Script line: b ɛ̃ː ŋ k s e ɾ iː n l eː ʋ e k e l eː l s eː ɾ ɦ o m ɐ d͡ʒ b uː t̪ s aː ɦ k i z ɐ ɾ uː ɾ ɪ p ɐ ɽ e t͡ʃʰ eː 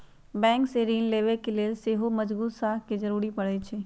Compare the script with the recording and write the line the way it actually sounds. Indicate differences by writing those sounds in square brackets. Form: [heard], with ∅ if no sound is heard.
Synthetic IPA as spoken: b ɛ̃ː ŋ k s e ɾ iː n l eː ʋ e k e l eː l s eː [∅] ɦ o m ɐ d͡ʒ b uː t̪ s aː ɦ k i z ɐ ɾ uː ɾ [i] p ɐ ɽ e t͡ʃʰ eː